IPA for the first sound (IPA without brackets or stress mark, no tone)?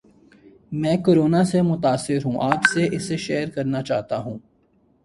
m